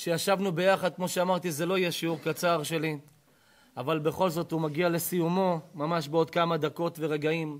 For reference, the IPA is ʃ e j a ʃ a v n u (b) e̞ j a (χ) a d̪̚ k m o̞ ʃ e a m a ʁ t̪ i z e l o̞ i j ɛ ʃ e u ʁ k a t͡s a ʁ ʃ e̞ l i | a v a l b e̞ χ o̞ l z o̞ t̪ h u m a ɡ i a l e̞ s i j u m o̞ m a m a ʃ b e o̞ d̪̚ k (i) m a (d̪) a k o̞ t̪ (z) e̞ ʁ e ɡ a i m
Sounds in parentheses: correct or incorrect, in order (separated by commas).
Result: correct, correct, incorrect, correct, incorrect